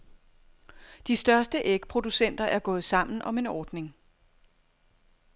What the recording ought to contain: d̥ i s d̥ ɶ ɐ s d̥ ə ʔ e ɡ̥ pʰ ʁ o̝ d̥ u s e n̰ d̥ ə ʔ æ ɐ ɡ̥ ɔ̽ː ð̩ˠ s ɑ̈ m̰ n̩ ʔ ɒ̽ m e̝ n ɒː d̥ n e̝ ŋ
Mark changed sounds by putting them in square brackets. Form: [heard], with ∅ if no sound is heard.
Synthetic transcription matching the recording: d̥ i s d̥ ɶ ɐ s d̥ ə ʔ e ɡ̥ pʰ ʁ o̝ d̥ u s e n̰ d̥ [ɐ] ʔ æ ɐ ɡ̥ ɔ̽ː ð̩ˠ s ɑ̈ m̰ n̩ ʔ ɒ̽ m e̝ n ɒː d̥ n e̝ ŋ